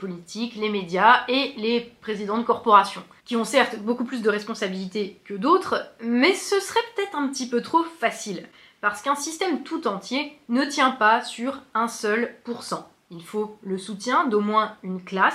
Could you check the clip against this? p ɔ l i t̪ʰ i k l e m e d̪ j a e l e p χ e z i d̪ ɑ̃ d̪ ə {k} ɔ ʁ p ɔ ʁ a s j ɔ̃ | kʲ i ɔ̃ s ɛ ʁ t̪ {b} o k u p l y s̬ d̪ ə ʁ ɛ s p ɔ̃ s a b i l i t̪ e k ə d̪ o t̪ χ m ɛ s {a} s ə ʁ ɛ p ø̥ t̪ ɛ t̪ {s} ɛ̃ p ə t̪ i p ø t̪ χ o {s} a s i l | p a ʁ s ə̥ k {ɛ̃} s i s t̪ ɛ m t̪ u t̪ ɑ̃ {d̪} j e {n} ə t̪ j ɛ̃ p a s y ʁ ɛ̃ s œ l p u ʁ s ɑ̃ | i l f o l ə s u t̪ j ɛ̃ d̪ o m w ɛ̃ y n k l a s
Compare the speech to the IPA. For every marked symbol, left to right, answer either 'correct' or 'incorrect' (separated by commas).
correct, correct, incorrect, incorrect, incorrect, correct, incorrect, correct